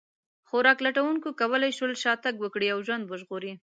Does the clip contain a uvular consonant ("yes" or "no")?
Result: no